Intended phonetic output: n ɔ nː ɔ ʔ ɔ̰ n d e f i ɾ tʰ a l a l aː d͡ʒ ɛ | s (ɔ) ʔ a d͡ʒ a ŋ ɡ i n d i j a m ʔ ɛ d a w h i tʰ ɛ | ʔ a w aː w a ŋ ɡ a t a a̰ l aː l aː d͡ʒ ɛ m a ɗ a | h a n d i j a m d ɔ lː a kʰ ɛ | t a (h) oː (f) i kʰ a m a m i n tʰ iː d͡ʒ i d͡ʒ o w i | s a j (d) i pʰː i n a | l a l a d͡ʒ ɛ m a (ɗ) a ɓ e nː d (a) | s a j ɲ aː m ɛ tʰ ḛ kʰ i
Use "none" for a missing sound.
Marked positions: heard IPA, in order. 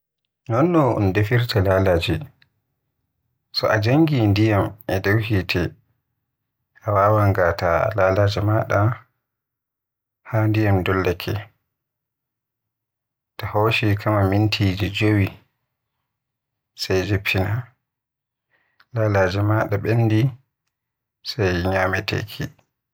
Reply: ɔ, h, ʃ, d͡ʒ, ɗ, i

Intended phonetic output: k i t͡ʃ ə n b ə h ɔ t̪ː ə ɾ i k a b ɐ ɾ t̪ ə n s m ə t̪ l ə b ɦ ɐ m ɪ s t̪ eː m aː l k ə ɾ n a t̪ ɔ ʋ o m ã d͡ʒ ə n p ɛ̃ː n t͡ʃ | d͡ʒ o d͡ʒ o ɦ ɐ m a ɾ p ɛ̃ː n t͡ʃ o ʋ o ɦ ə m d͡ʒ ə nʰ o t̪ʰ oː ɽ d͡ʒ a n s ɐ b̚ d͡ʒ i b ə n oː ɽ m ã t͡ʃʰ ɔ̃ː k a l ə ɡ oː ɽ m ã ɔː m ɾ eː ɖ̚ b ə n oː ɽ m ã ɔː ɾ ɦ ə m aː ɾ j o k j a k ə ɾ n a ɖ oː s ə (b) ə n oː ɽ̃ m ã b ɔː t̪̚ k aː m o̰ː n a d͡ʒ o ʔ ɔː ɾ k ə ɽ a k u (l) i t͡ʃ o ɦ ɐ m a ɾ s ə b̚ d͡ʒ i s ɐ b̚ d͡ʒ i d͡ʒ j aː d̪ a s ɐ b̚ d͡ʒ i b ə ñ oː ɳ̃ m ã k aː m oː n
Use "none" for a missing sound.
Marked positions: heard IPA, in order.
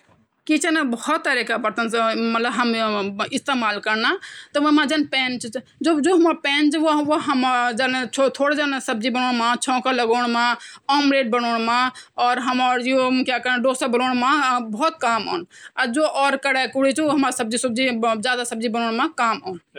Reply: b, ɽ

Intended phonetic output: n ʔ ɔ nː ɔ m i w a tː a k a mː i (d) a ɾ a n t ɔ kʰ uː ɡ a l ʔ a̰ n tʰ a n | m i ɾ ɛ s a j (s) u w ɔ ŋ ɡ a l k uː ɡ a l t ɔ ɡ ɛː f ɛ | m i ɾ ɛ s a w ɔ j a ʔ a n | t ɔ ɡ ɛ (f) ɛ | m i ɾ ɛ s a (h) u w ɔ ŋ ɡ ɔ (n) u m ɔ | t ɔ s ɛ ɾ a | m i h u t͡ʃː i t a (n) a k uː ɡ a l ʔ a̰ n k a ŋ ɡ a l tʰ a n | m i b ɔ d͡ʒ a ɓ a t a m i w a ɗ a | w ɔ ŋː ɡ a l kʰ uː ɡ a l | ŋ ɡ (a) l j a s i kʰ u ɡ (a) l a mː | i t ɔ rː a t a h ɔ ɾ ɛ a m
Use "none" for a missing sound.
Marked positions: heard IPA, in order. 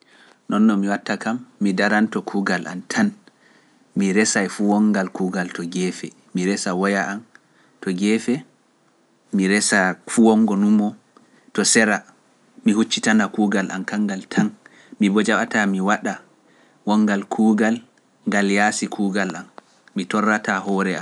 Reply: d, f, f, f, n, n, a, a

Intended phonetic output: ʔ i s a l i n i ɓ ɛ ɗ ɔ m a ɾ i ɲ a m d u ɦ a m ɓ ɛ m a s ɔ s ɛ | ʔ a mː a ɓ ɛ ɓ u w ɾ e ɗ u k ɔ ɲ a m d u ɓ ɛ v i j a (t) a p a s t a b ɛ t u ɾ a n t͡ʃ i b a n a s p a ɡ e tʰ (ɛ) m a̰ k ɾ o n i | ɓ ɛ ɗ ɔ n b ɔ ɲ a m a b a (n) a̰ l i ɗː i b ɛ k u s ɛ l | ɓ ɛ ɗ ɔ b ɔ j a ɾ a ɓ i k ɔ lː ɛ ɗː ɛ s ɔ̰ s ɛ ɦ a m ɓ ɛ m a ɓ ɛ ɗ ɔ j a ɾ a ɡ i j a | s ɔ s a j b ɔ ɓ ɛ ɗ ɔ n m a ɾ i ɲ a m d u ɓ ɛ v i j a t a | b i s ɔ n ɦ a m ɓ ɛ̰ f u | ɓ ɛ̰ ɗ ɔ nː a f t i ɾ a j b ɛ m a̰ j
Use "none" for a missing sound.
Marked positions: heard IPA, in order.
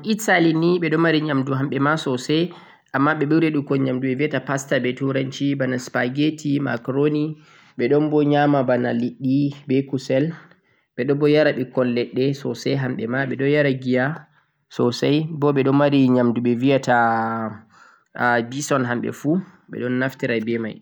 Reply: t, i, n

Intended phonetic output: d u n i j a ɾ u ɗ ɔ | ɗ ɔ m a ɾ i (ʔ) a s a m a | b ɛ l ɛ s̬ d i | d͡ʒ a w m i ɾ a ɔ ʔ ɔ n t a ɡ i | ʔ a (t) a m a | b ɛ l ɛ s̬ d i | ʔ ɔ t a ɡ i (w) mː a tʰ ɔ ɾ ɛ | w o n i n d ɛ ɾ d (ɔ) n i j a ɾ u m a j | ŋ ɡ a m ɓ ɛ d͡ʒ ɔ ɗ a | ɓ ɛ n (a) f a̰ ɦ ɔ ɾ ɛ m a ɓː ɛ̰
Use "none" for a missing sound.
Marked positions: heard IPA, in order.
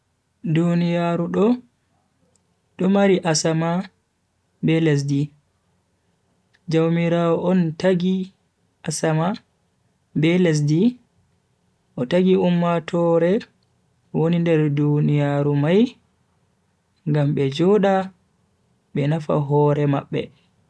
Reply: ʔ, s, u, u, a

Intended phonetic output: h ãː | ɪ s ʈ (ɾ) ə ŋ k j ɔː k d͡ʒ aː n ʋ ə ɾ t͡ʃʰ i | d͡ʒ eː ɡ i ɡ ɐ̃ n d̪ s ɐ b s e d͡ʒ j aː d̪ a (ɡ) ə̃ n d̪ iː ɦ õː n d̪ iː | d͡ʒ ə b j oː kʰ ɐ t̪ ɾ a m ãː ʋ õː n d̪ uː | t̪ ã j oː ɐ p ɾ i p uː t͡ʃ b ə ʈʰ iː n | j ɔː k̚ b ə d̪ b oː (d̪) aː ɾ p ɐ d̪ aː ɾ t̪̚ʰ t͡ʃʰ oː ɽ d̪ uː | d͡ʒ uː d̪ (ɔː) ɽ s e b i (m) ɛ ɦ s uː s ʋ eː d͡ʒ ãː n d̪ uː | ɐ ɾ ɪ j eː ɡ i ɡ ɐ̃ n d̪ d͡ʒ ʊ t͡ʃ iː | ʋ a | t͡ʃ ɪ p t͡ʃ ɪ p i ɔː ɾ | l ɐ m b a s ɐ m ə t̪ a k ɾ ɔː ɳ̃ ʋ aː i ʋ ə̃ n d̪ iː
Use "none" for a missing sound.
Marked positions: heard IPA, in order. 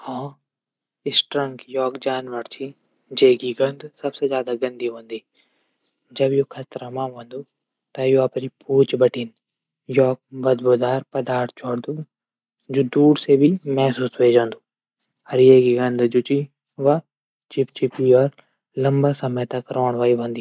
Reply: ɾ, ɡ, d̪, uː, m

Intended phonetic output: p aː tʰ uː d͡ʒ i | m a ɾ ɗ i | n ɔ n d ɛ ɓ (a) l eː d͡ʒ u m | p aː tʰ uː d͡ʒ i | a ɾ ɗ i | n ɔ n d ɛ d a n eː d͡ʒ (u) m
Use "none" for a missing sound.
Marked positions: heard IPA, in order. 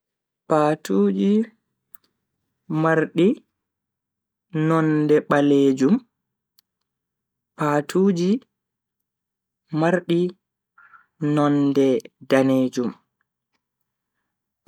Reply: a, u

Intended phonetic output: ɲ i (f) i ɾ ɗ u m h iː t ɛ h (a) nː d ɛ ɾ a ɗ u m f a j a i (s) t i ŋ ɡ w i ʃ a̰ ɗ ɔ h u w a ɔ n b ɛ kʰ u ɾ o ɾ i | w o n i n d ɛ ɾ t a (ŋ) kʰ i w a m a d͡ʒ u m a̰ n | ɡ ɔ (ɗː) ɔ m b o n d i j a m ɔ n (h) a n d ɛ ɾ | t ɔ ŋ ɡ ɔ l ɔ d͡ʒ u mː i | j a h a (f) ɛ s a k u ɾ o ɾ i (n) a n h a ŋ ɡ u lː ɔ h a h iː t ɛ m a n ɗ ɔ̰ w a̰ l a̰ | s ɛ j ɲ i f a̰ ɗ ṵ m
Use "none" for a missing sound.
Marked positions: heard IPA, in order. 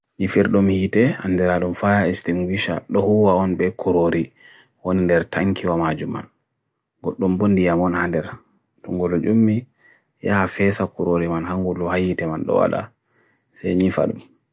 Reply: f, a, s, ŋ, ɗː, h, f, m

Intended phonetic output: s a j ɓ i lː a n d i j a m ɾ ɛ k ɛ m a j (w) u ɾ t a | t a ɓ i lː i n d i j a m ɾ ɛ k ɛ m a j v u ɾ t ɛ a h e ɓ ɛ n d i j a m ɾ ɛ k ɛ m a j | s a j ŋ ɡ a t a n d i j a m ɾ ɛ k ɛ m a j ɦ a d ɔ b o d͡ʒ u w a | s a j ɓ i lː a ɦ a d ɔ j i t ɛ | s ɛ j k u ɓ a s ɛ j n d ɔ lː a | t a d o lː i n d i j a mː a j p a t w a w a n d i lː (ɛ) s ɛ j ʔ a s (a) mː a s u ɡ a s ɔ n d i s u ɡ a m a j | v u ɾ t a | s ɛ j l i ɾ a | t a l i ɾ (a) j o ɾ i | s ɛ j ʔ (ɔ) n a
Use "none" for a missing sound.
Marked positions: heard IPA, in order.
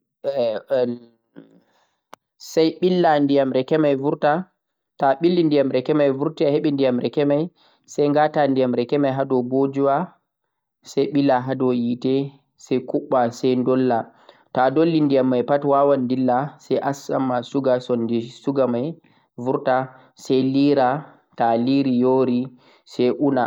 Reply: v, a, a, i, u

